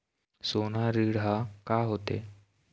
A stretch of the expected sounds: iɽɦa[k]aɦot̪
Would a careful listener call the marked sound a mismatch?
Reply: no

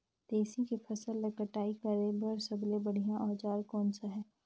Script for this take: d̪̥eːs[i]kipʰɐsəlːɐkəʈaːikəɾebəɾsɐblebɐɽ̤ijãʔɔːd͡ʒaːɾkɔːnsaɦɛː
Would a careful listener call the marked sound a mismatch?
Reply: no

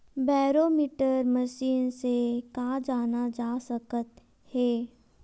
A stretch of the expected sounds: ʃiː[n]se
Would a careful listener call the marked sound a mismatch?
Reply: no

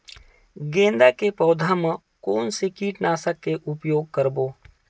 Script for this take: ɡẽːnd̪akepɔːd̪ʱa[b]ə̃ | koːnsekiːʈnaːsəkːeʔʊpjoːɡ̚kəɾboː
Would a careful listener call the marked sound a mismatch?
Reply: yes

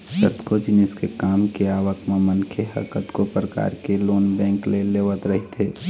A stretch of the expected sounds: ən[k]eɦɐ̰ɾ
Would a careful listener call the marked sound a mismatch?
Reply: yes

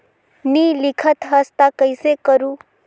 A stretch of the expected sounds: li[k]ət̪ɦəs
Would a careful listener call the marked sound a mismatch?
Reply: yes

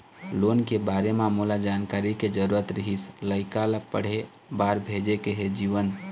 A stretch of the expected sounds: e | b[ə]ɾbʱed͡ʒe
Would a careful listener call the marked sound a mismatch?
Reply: yes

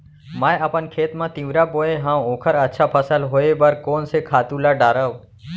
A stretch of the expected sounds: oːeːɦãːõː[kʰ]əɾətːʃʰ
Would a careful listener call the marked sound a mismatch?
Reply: no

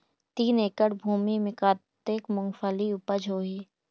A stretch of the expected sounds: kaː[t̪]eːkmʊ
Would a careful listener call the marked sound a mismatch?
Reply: no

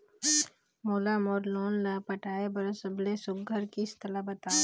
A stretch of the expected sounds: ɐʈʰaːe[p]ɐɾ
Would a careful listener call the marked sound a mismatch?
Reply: yes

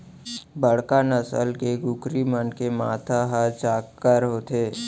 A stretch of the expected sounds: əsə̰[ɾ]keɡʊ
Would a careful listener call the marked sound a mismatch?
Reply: yes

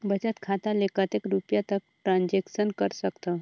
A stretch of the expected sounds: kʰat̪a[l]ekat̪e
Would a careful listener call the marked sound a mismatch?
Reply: no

